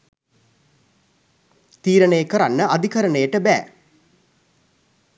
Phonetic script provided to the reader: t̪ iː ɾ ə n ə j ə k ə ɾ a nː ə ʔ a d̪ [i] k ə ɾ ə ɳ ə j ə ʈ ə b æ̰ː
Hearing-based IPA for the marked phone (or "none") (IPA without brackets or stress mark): i